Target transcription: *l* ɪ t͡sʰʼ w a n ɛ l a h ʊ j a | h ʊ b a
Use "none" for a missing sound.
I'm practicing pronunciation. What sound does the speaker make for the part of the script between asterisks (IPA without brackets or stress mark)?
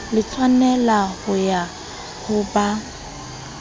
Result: l